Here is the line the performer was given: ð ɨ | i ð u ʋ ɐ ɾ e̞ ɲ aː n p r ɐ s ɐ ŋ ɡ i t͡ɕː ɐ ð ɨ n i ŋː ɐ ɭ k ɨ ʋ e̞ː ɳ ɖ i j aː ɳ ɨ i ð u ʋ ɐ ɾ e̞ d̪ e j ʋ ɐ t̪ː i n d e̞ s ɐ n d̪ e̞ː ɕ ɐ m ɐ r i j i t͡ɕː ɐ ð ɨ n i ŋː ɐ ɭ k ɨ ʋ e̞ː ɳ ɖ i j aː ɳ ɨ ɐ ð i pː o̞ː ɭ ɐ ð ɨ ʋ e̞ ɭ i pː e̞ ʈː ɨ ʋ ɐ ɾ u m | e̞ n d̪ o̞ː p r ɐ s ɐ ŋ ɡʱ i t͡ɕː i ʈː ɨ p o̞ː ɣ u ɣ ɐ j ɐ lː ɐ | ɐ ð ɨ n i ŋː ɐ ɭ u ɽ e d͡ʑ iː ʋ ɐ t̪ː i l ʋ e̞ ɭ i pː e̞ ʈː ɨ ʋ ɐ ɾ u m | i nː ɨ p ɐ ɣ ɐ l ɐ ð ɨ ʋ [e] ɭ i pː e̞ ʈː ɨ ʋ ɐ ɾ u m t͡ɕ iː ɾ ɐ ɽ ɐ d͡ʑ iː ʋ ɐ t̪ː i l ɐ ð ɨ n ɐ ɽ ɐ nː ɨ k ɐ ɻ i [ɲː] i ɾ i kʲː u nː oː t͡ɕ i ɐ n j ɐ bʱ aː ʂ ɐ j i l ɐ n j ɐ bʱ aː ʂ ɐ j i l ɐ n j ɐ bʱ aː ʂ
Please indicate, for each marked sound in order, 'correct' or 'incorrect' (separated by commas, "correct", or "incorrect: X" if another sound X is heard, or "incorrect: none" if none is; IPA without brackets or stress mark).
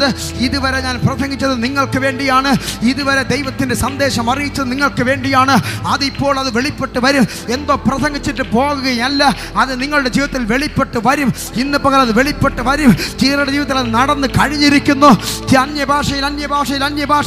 correct, correct